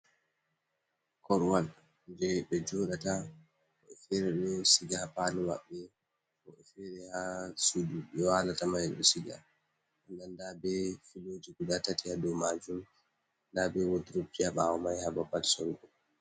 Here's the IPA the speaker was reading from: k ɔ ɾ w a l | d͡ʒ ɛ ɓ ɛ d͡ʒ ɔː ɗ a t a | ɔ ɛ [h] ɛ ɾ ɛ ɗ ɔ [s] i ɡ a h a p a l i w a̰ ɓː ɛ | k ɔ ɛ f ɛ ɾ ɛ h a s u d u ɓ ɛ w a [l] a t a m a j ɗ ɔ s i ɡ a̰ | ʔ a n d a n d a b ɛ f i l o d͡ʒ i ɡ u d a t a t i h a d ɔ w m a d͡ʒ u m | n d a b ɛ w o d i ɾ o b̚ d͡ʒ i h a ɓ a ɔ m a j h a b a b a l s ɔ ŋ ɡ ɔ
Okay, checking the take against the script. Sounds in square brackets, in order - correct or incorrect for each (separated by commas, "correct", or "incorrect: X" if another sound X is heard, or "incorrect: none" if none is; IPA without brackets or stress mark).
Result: incorrect: f, correct, correct